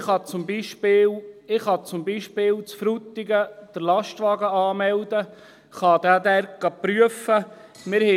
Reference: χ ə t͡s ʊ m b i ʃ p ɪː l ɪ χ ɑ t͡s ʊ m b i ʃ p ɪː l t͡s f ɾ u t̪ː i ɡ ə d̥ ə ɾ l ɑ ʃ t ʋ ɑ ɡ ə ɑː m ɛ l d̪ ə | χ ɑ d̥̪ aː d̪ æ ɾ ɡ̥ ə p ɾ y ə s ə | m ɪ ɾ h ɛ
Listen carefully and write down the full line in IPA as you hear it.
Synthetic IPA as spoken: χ ɑ t͡s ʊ m b i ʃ p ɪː l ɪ χ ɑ t͡s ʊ m b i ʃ p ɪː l t͡s f ɾ u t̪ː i ɡ ə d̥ ə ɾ l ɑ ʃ t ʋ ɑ ɡ ə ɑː m ɛ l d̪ ə | χ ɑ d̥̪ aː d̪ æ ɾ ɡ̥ ɑ p ɾ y ə f ə | m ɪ ɾ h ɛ